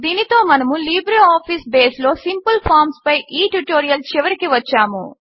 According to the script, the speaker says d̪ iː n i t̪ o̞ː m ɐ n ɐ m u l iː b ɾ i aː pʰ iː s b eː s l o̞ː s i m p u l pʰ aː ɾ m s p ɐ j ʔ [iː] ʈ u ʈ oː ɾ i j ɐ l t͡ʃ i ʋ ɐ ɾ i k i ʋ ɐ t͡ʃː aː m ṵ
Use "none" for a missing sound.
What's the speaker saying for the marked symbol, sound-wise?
iː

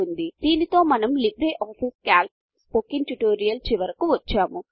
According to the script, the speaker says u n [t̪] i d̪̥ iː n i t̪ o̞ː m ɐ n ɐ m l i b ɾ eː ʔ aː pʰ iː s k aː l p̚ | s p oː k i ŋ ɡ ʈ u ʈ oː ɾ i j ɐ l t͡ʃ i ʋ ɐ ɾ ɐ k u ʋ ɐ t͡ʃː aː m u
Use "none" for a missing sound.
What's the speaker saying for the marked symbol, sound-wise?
d̪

